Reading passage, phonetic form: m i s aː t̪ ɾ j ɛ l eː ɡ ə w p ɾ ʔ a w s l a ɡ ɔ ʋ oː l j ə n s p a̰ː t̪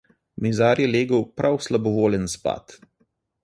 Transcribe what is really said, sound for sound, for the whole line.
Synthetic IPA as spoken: m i z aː ɾ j ɛ l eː ɡ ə w p ɾ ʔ a w s l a b ɔ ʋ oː l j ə n s p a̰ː t̪

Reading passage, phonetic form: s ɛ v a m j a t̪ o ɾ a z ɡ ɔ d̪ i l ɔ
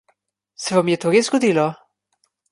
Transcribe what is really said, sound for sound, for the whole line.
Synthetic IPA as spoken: s ɛ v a m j ɛ t̪ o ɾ e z ɡ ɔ d̪ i l ɔ

